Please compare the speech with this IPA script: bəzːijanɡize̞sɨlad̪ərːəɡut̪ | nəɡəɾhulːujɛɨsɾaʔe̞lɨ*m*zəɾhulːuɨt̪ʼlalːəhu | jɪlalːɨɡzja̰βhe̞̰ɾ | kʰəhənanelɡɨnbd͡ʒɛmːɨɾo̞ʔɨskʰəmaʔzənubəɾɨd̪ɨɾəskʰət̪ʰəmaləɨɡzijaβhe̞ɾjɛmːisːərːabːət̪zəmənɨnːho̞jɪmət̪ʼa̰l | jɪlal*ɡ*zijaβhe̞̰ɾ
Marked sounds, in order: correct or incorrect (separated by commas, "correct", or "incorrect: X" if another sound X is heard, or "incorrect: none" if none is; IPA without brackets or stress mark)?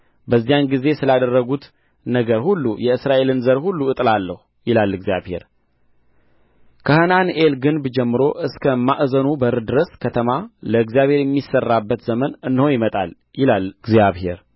incorrect: n, correct